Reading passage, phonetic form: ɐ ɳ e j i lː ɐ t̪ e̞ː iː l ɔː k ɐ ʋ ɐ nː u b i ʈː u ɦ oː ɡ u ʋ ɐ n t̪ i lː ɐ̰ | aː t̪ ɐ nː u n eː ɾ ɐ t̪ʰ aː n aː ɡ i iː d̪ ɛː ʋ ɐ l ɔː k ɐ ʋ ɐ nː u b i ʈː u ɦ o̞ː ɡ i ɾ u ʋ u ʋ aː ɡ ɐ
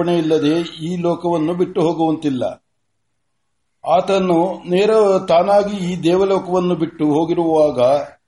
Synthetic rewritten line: ɐ ɳ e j i lː ɐ d̪ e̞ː iː l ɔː k ɐ ʋ ɐ nː u b i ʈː u ɦ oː ɡ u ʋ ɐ n t̪ i lː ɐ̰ | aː t̪ ɐ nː u n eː ɾ ɐ t̪ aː n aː ɡ i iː d̪ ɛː ʋ ɐ l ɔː k ɐ ʋ ɐ nː u b i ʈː u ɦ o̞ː ɡ i ɾ u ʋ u ʋ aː ɡ ɐ